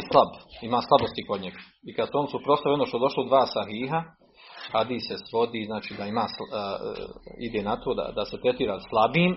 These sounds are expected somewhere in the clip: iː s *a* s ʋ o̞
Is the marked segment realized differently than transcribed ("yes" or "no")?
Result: yes